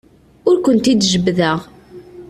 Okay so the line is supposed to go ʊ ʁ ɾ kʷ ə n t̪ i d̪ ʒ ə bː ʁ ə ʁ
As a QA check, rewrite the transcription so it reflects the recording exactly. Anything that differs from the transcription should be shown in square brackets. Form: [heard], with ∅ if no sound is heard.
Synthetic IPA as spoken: ʊ [∅] ɾ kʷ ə n t̪ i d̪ ʒ ə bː [ð] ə ʁ